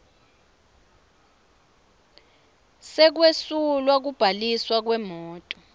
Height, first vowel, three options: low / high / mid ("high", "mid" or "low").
mid